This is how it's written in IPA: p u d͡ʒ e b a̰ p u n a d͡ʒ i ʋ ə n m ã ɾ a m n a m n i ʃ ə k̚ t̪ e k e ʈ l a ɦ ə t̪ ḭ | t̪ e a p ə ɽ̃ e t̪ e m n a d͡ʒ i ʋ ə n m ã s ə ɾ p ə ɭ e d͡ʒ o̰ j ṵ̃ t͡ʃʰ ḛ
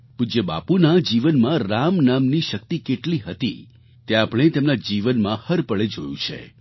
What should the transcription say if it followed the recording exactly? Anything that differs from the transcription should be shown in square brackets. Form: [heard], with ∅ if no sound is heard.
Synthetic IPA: p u d͡ʒ e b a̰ p u n a d͡ʒ i ʋ ə n m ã ɾ a m n a m n i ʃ ə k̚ t̪ [i] k e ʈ l [i] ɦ ə t̪ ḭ | t̪ e a p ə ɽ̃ e t̪ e m n a d͡ʒ i ʋ ə n m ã [h] ə ɾ p ə ɭ e d͡ʒ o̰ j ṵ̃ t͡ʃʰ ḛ